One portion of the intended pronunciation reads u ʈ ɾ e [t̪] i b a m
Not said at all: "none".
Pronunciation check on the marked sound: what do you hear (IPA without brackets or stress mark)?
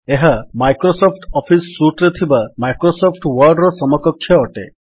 t̪ʰ